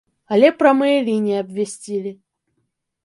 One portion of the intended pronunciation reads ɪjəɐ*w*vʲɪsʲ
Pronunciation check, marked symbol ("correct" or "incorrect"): incorrect